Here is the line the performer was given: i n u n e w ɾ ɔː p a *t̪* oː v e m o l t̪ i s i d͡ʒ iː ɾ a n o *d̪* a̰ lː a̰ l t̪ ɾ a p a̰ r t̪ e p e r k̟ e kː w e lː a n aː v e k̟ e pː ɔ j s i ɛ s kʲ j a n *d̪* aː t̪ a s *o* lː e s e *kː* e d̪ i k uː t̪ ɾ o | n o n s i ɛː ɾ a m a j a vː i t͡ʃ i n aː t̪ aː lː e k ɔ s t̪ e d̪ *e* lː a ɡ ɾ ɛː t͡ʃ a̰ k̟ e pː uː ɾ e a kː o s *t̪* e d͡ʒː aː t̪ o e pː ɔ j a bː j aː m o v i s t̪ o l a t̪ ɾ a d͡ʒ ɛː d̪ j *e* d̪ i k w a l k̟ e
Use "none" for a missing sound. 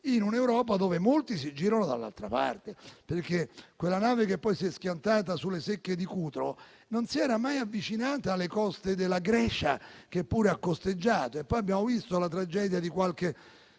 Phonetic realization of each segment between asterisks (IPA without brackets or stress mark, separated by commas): d̪, d̪, t̪, u, kː, e, t̪, a